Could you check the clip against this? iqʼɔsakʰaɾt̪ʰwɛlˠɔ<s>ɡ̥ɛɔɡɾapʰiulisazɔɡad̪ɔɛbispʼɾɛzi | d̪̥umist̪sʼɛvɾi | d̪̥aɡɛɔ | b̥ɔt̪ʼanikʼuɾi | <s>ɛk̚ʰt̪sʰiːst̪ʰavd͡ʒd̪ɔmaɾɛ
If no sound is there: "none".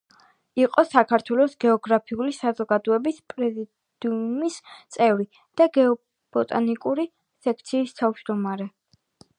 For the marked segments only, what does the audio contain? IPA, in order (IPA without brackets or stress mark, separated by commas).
s, s